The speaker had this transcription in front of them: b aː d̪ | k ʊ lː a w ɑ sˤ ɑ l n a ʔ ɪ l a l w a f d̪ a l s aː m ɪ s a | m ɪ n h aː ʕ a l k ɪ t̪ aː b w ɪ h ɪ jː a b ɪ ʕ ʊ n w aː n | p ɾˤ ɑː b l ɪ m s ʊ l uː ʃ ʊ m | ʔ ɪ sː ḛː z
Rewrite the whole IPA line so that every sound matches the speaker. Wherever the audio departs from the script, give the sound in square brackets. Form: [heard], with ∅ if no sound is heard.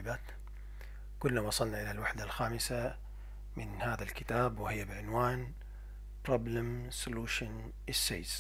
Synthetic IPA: b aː [t̪] | k ʊ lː a w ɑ sˤ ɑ l n a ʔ ɪ l a l w a [ħ] d̪ a l [x] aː m ɪ s a | m ɪ n h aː [ð] a l k ɪ t̪ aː b w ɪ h ɪ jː a b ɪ ʕ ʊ n w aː n | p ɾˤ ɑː b l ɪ m s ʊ l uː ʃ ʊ [n] | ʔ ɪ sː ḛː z